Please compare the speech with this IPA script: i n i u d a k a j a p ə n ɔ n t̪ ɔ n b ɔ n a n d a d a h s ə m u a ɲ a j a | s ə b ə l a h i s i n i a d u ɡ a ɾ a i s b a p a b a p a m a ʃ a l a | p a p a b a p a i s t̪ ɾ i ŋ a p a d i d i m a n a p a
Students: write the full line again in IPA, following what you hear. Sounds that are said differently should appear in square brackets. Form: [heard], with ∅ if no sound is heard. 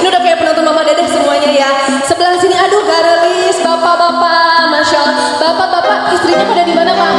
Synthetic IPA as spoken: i n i u d a k a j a p ə n ɔ n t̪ ɔ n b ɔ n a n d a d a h s ə m u a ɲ a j a | s ə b ə l a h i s i n i a d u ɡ a ɾ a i s b a p a b a p a m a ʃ a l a | [b] a p a b a p a i s t̪ ɾ i [ɲ] a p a d [a] d i m a n a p a